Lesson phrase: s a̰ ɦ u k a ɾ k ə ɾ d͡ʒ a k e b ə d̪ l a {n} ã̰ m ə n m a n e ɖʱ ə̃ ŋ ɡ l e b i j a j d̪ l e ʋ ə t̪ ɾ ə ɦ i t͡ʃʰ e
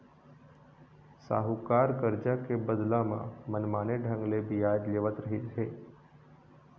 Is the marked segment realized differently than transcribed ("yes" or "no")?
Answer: yes